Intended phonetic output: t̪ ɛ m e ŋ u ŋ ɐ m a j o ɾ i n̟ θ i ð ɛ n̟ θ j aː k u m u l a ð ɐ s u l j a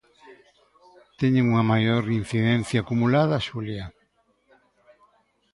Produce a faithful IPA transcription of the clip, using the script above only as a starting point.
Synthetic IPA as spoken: t̪ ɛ ɲ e ŋ u ŋ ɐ m a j o ɾ i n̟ θ i ð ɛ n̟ θ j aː k u m u l a ð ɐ ʃ u l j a